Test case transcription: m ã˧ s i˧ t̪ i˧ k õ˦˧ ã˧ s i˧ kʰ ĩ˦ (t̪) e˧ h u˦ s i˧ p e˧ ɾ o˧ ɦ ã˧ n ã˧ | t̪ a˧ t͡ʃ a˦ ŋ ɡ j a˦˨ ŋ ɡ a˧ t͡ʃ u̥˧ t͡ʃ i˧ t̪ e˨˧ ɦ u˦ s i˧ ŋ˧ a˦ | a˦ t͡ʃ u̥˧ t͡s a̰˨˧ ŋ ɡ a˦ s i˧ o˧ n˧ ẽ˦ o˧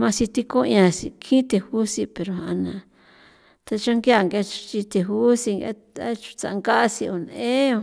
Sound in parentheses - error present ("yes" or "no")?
no